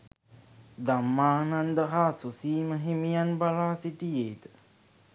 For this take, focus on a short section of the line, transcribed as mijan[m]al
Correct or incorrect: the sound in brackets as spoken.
incorrect: b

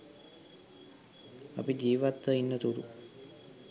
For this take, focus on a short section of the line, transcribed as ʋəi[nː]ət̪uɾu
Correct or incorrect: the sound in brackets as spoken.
correct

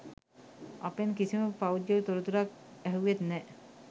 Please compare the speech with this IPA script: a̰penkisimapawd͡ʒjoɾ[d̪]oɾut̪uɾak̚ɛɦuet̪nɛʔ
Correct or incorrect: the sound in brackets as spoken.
incorrect: t̪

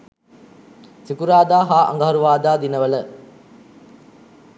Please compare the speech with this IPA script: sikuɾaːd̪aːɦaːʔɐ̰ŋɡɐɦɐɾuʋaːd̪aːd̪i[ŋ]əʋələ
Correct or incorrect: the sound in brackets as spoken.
incorrect: n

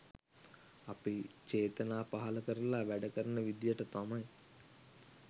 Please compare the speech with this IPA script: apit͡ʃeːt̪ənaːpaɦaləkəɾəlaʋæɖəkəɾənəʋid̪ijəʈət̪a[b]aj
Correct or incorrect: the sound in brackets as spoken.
incorrect: m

